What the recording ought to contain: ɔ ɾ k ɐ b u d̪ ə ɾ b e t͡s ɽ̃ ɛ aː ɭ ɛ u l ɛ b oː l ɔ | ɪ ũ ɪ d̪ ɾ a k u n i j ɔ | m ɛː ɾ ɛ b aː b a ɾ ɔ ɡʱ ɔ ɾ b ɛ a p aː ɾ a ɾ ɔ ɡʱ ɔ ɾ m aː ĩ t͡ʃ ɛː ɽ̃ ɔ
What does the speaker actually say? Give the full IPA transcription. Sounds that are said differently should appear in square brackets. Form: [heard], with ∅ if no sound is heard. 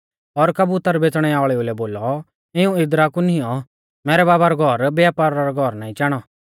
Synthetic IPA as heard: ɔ ɾ k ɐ b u [t̪] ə ɾ b e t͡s ɽ̃ ɛ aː ɭ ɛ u l ɛ b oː l ɔ | ɪ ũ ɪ d̪ ɾ a k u n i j ɔ | m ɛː ɾ ɛ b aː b a ɾ ɔ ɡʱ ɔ ɾ b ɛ a p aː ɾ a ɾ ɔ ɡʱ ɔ ɾ [n] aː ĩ t͡ʃ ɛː ɽ̃ ɔ